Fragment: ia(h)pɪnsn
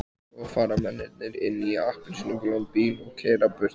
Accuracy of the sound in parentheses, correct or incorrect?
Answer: correct